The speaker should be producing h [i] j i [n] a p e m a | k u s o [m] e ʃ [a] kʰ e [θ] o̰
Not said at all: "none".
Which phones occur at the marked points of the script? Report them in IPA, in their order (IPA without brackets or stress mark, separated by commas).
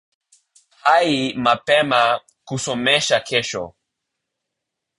a, m, m, a, ʃ